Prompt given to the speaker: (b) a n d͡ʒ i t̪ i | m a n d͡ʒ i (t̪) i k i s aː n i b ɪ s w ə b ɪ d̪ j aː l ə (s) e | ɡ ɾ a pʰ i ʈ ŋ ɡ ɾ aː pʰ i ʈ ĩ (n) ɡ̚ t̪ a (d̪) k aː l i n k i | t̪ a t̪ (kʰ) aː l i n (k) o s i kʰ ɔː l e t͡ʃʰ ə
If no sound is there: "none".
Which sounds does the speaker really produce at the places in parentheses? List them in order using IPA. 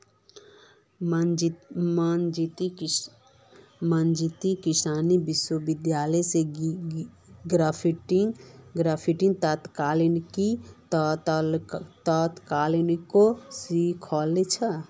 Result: m, t̪, s, ŋ, t̪, k, k

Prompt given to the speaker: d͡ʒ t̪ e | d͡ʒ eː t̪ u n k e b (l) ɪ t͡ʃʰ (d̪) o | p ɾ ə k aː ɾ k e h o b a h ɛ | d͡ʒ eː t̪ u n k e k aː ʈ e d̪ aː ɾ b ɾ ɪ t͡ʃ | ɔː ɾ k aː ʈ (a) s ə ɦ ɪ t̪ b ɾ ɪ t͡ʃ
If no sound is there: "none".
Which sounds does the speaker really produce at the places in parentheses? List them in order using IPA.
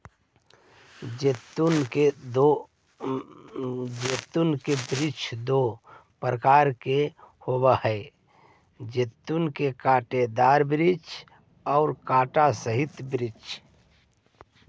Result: ɾ, d̪, a

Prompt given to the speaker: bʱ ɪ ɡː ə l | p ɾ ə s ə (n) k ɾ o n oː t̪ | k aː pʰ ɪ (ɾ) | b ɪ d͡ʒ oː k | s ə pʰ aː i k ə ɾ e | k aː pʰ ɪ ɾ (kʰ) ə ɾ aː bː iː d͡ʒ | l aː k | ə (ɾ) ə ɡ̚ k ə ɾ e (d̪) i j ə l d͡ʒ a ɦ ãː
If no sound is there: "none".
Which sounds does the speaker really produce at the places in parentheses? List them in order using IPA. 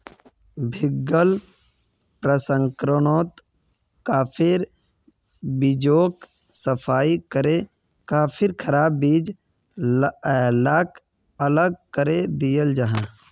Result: ŋ, ɾ, kʰ, l, d̪

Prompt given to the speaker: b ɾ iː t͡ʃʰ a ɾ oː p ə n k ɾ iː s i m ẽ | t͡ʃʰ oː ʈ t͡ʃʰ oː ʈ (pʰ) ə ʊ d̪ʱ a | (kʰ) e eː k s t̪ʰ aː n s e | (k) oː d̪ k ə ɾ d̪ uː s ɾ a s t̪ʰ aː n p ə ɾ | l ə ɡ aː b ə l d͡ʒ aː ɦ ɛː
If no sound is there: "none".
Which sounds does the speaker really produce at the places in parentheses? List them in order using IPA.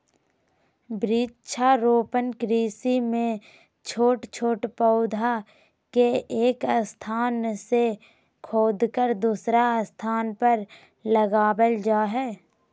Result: p, k, kʰ

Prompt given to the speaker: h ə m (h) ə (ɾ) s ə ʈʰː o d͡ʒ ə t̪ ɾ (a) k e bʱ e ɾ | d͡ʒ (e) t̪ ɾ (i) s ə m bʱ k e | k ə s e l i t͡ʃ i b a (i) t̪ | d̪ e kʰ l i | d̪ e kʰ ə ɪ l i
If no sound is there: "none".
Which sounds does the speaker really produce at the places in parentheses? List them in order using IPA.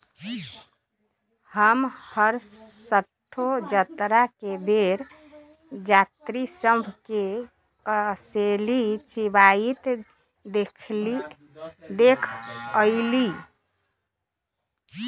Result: h, ɾ, a, a, i, i

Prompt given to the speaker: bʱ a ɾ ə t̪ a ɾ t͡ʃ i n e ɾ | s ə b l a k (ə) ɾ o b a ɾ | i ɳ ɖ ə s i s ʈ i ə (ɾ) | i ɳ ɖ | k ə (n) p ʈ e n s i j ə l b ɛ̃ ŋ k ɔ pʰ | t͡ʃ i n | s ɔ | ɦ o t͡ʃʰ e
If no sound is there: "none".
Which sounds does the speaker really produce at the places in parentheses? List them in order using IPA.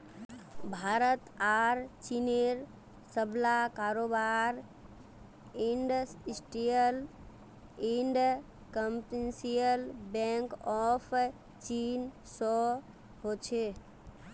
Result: a, l, m

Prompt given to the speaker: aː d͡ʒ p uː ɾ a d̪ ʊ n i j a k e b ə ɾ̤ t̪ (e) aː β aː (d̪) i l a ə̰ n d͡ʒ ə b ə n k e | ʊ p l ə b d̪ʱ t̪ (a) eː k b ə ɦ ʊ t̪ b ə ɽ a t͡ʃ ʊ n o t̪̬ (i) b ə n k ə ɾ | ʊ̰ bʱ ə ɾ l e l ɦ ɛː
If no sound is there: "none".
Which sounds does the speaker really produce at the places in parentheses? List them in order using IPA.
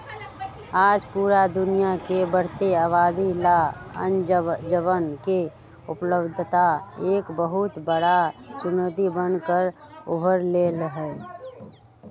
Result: e, d̪, a, i

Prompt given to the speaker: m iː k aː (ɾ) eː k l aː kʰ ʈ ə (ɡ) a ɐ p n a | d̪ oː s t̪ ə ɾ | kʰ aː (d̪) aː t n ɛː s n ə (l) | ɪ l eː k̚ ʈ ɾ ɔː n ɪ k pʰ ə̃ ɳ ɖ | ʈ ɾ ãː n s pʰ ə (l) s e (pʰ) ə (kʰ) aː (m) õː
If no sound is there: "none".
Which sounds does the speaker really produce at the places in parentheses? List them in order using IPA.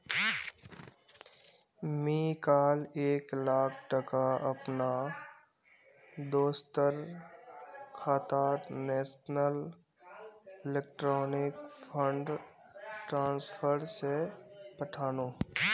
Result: l, k, t̪, l, ɾ, p, ʈʰ, n

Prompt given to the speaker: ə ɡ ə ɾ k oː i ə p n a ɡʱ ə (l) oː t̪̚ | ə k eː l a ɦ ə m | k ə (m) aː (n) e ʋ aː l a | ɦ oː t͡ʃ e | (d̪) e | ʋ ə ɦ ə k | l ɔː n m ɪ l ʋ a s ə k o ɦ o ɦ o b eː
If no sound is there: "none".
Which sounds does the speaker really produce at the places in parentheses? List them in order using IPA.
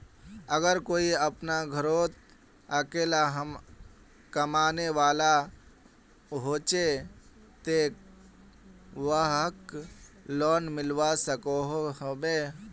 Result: ɾ, m, n, t̪

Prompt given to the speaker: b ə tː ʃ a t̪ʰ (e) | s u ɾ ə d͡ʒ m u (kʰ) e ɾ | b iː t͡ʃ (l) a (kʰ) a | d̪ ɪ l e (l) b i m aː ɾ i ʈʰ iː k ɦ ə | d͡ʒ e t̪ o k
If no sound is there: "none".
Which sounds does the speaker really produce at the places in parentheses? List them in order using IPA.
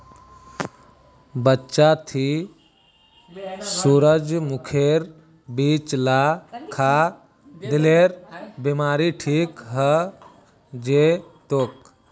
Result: i, kʰ, l, kʰ, ɾ

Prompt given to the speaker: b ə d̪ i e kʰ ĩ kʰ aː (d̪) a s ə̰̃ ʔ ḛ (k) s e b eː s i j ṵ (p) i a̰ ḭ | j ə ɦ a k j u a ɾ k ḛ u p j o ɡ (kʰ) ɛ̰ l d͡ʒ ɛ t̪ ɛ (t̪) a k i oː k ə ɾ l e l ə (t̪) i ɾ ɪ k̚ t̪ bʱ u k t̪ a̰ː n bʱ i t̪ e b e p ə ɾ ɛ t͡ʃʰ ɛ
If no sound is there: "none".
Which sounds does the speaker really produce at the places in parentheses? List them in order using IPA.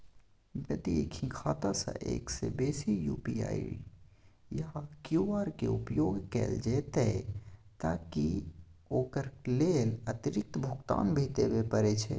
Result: t̪, k, p, k, t̪, t̪

